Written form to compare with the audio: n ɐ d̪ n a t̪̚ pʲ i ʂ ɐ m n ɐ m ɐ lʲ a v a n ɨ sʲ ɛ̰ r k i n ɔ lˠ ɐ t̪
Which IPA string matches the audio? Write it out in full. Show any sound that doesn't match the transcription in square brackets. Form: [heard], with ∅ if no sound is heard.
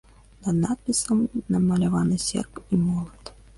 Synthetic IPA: n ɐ d̪ n a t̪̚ pʲ i [s] ɐ m n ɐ m ɐ lʲ a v a n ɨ sʲ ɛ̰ r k i [m] ɔ lˠ ɐ t̪